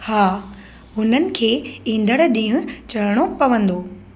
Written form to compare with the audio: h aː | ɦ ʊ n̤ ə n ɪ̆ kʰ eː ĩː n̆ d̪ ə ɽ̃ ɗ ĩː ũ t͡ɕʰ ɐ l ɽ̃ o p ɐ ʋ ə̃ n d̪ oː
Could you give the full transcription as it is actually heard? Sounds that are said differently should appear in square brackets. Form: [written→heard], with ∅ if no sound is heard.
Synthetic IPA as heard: h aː | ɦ ʊ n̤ ə n ɪ̆ kʰ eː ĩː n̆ d̪ ə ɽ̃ ɗ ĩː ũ [t͡ɕʰ→t͡ɕ] ɐ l ɽ̃ o p ɐ ʋ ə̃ n d̪ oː